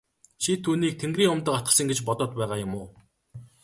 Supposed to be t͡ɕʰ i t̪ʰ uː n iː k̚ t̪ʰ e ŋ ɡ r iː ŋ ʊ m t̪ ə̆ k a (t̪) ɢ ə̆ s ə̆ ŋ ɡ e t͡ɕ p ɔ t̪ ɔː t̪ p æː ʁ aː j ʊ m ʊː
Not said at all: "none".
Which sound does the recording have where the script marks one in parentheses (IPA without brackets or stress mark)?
t̪